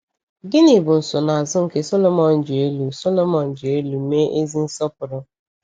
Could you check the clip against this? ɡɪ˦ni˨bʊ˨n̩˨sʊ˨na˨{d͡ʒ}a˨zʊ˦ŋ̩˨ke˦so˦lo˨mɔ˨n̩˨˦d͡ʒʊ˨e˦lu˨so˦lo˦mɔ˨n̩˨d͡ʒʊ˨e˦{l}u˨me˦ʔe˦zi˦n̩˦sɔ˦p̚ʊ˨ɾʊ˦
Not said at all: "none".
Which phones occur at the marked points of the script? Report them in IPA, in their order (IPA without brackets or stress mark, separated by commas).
none, l